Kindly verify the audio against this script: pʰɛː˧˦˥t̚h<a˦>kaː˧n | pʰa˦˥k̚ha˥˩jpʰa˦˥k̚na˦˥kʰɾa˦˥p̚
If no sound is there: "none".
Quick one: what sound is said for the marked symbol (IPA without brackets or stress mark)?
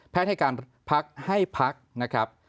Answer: a˥˩